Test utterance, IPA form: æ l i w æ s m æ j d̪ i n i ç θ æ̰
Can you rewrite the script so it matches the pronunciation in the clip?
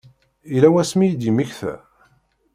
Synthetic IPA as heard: i l æ w æ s m i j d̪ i m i ç θ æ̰